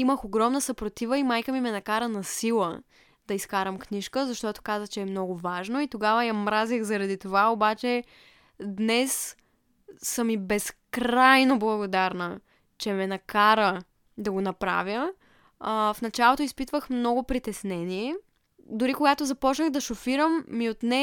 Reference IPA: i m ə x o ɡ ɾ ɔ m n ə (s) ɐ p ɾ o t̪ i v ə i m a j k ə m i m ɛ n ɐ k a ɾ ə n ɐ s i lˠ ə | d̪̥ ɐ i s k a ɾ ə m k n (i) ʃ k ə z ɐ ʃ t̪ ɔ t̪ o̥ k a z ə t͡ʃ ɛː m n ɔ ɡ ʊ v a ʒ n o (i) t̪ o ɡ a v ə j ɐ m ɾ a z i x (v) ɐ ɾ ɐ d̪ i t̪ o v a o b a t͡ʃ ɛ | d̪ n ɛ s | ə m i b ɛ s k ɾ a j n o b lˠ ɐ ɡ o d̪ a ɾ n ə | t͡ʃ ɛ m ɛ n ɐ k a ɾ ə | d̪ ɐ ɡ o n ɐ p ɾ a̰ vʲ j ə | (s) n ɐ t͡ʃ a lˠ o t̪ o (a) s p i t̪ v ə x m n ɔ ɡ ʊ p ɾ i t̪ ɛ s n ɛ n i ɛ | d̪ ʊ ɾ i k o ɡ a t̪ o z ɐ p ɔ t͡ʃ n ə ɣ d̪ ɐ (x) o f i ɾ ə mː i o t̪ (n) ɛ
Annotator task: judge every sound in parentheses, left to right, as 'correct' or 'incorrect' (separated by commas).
correct, correct, correct, incorrect, incorrect, incorrect, incorrect, correct